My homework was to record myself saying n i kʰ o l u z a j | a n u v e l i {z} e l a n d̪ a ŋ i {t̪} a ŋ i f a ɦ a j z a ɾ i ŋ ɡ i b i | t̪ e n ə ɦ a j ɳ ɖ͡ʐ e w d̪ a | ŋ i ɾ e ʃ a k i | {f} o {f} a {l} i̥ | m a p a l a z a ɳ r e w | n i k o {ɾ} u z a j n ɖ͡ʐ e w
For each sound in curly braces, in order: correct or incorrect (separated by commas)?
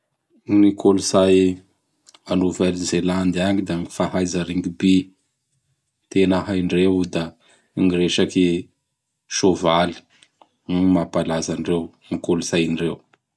correct, incorrect, incorrect, incorrect, correct, incorrect